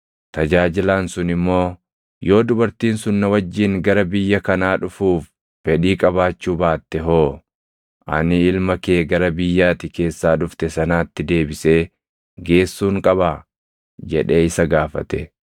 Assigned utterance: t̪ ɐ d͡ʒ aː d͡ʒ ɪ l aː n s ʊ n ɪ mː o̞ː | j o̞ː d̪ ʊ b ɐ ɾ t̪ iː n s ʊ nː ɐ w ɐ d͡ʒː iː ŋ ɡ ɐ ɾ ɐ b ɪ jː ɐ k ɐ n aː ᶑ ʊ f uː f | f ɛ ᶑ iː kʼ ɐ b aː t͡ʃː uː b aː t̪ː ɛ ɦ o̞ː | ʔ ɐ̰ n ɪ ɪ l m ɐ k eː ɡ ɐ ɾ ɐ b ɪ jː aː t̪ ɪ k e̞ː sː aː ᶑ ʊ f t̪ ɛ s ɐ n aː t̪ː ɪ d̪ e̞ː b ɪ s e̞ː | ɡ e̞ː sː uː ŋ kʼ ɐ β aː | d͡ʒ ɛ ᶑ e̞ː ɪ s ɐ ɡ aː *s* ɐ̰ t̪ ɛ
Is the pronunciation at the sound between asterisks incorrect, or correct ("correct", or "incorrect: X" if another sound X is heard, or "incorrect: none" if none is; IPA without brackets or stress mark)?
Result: incorrect: f